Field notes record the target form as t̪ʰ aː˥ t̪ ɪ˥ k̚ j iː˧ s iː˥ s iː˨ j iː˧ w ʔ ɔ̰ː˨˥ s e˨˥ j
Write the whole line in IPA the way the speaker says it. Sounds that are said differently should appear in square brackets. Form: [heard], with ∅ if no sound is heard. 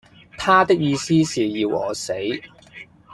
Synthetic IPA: t̪ʰ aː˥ t̪ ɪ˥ k̚ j iː˧ s iː˥ s iː˨ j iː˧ w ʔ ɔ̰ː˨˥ s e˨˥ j